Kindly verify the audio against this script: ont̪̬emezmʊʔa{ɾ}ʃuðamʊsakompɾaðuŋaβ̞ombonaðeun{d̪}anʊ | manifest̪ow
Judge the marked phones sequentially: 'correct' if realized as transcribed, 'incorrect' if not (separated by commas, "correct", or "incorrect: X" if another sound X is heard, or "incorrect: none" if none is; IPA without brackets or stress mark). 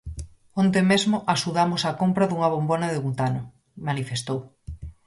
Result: incorrect: none, incorrect: t̪